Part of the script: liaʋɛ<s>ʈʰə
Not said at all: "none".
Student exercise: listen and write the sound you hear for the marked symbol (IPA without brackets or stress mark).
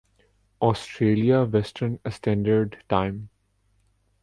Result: s